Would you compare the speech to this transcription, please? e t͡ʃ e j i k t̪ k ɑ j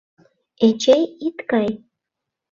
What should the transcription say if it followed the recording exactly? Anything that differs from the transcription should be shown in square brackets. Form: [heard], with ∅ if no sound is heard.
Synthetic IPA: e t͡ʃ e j i [∅] t̪ k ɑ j